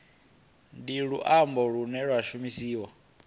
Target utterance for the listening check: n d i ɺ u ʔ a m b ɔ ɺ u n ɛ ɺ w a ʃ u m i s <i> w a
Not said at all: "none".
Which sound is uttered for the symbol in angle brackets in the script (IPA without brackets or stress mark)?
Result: iː